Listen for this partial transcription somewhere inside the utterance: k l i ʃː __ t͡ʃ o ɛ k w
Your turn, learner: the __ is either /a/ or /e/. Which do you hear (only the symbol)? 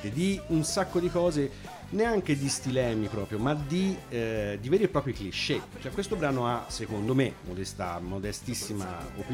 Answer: e